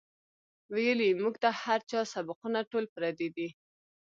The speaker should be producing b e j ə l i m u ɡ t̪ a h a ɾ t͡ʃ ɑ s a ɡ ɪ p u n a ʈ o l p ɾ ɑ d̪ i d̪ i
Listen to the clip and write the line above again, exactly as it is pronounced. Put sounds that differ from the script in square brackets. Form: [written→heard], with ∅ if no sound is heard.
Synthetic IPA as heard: [b→w] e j ə l i m u ɡ t̪ a h a ɾ t͡ʃ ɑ s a [ɡ→b] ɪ [p→q] u n a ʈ o l p ɾ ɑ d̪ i d̪ i